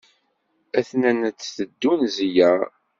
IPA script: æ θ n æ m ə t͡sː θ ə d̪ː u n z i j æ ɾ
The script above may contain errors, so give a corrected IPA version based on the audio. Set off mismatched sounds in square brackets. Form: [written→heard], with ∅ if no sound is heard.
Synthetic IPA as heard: æ θ n æ [m→n] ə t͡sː θ ə d̪ː u n z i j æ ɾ